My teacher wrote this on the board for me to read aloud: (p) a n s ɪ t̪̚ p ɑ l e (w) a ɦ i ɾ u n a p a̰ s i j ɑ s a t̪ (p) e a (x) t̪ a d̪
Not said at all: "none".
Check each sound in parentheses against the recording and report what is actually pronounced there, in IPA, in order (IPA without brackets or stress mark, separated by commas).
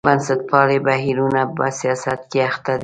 b, b, k, x